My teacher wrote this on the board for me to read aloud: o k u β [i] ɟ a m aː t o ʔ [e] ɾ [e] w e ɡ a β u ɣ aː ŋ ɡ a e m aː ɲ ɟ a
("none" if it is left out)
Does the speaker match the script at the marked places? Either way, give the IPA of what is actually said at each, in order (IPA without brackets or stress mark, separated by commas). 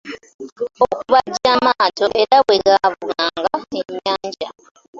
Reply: a, e, a